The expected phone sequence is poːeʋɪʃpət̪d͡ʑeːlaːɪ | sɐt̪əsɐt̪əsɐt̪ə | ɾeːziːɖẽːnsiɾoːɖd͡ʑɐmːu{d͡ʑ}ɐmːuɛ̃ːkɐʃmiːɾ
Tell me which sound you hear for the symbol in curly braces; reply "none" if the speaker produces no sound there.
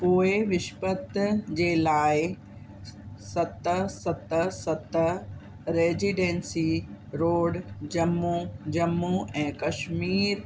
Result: d͡ʑ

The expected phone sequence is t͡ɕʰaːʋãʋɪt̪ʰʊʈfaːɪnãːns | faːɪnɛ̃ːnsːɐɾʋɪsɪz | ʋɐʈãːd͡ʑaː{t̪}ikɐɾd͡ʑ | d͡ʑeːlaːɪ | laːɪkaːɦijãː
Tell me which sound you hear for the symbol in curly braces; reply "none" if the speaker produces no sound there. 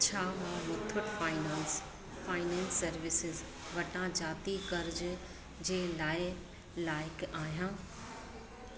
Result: t̪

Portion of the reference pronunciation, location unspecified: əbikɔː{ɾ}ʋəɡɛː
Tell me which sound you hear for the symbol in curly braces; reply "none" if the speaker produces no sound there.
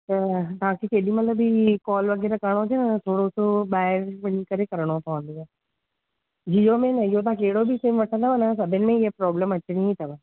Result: l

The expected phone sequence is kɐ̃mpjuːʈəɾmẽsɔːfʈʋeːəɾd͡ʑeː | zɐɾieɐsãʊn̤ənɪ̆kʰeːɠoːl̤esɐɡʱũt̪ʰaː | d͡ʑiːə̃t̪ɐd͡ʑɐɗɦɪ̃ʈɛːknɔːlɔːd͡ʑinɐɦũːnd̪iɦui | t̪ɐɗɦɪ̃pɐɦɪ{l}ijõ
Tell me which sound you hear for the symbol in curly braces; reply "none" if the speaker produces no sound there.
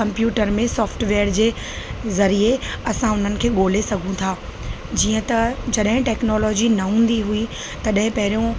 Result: ɾ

